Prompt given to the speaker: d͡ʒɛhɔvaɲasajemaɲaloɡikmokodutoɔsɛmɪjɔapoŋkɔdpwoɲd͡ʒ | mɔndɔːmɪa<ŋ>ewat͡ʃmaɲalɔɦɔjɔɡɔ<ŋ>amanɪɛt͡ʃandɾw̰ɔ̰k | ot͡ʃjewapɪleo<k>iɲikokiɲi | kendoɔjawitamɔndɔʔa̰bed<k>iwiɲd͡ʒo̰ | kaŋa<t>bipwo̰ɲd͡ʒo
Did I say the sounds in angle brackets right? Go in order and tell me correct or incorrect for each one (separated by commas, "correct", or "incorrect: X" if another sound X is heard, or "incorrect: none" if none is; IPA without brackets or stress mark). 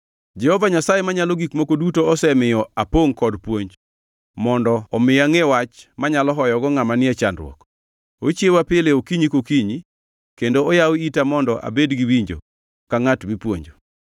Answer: correct, correct, correct, incorrect: ɡ, correct